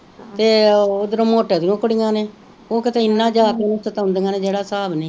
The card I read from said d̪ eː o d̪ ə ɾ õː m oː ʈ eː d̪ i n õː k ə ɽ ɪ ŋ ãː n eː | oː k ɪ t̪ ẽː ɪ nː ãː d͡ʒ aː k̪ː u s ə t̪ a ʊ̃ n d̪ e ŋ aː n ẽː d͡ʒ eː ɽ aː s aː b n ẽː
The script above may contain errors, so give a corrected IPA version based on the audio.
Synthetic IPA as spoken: t̪ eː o d̪ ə ɾ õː m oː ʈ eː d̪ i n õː k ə ɽ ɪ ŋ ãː n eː | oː k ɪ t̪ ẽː ɪ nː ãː d͡ʒ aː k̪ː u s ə t̪ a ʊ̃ n d̪ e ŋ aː n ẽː d͡ʒ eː ɽ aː s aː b n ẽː